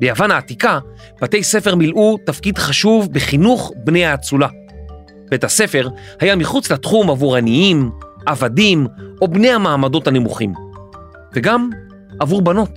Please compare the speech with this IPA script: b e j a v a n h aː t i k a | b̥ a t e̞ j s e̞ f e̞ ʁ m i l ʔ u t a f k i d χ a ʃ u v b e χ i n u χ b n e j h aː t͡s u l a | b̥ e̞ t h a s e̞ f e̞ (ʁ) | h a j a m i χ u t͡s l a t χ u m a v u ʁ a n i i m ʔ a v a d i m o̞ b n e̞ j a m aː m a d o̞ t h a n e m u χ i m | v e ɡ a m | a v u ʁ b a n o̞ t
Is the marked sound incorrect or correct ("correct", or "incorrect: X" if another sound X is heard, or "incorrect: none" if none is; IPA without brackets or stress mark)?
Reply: correct